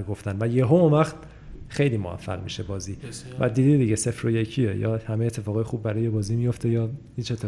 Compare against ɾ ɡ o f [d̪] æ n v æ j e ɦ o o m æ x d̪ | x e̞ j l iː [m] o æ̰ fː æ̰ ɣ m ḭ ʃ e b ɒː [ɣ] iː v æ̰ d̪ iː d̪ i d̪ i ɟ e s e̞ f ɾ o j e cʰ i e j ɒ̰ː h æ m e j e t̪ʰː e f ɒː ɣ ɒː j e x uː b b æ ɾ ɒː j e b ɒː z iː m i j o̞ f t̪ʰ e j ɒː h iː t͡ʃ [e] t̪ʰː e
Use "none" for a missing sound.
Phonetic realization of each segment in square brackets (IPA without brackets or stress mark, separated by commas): t̪, m, z, e